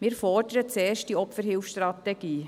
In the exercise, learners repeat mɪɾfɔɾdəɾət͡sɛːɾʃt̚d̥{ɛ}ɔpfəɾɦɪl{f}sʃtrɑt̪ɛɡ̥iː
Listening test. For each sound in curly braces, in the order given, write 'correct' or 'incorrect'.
incorrect: i, correct

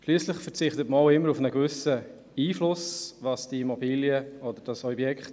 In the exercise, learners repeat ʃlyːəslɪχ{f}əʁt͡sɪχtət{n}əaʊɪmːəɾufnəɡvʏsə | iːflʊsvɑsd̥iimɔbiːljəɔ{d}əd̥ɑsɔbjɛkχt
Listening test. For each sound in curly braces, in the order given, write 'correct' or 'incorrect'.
correct, incorrect: m, correct

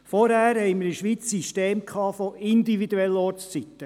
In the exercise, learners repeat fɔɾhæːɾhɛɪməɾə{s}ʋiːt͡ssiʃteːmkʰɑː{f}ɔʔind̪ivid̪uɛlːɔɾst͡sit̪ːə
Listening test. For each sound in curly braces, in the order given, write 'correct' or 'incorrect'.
incorrect: ʃ, correct

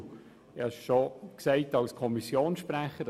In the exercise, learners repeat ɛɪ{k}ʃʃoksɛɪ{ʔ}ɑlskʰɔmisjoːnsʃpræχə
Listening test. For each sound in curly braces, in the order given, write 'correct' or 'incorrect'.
incorrect: none, incorrect: t

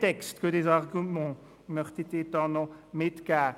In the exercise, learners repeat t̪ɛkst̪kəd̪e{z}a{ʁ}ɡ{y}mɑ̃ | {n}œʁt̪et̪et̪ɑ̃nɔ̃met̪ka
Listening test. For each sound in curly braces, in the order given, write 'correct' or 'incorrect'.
correct, correct, correct, incorrect: m

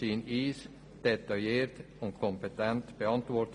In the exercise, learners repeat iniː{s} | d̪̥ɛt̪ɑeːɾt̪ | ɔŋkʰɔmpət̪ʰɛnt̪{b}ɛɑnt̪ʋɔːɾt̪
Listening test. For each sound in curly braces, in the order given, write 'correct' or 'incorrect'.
correct, correct

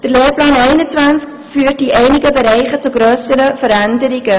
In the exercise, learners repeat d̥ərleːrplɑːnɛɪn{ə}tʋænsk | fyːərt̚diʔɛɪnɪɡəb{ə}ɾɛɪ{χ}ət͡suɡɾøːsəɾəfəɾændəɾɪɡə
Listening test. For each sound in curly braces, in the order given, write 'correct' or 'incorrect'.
correct, correct, correct

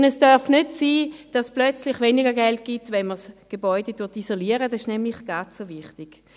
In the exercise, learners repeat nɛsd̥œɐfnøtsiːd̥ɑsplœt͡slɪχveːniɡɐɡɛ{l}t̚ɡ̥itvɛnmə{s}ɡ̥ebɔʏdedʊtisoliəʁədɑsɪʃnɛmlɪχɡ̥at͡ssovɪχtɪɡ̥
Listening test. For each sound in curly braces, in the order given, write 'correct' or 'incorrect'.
correct, correct

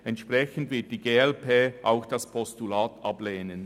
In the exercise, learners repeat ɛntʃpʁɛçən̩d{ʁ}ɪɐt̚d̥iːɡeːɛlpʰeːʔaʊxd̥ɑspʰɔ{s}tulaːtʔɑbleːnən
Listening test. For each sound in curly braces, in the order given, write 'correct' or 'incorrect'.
incorrect: v, correct

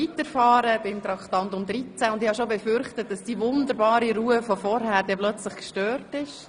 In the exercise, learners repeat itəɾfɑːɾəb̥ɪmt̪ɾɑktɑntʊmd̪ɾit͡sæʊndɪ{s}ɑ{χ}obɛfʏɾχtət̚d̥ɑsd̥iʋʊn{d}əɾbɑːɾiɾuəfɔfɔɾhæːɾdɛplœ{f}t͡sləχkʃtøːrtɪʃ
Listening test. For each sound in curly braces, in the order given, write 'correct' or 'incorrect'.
incorrect: h, incorrect: ʃ, correct, incorrect: none

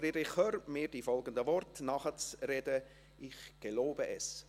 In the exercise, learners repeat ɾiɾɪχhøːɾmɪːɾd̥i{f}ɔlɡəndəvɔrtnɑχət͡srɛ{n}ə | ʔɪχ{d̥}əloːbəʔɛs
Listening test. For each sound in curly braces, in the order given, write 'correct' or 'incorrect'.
correct, incorrect: d, incorrect: ɡ̥

